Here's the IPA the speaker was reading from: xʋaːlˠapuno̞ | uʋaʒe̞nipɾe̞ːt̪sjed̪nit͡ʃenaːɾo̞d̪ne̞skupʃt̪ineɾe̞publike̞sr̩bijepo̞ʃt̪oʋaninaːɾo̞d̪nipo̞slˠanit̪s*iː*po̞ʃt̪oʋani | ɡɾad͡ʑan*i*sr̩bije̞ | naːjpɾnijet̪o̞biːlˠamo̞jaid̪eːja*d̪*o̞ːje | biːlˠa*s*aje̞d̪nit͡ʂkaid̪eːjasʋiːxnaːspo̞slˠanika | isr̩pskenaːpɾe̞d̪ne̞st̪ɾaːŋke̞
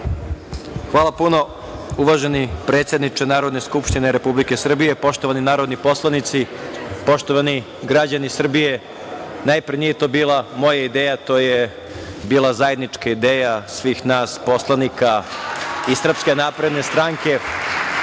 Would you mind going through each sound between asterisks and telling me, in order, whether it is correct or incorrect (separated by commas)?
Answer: incorrect, correct, incorrect, incorrect